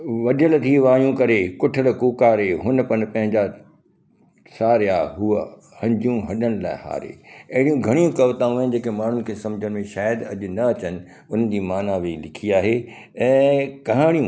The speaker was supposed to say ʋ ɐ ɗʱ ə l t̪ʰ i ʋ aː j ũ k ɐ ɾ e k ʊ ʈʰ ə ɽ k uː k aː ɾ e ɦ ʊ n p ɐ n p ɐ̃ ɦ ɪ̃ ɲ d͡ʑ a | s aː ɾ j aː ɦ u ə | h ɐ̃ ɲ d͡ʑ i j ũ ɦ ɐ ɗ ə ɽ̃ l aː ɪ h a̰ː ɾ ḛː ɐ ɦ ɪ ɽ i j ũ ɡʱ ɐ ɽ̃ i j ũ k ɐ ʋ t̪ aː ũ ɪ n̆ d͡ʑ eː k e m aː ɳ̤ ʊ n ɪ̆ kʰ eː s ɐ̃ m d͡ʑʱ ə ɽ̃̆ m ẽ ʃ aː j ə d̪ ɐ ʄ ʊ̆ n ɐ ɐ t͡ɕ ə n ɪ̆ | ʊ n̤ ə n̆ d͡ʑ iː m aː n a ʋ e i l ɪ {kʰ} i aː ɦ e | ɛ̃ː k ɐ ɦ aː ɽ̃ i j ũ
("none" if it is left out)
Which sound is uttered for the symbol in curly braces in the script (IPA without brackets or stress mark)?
kʰ